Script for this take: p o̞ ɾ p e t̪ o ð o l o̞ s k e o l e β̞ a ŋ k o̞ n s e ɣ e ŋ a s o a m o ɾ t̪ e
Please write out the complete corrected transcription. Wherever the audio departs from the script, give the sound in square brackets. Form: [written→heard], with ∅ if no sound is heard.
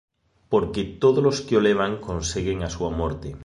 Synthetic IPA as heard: p o̞ ɾ [p→k] e t̪ o ð o l o̞ s k e o l e β̞ a ŋ k o̞ n s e ɣ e ŋ a s [o→u] a m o ɾ t̪ e